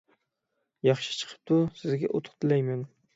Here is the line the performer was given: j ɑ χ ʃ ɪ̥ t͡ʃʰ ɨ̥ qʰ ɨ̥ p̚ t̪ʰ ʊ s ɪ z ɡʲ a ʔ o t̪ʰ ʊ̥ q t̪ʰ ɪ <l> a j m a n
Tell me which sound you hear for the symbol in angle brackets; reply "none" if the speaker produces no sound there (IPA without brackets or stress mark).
l